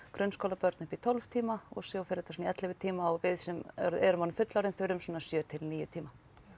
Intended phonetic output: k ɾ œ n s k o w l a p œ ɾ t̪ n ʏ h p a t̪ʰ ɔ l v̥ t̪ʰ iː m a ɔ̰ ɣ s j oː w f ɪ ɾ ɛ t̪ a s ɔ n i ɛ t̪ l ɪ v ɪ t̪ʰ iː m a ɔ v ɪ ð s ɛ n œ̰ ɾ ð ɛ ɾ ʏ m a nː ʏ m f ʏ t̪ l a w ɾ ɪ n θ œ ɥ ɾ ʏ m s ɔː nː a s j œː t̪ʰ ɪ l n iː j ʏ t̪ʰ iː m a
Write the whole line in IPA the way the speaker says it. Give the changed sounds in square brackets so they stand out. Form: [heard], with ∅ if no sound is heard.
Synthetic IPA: k ɾ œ n s k o w l a p œ ɾ t̪ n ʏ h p [i] t̪ʰ ɔ l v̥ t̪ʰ iː m a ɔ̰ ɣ s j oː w f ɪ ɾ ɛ t̪ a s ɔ n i ɛ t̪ l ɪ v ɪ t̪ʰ iː m a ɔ v ɪ ð s ɛ [m] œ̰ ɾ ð ɛ ɾ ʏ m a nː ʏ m f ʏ t̪ l a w ɾ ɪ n θ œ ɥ ɾ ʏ m s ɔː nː a s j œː t̪ʰ ɪ l n iː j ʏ t̪ʰ iː m a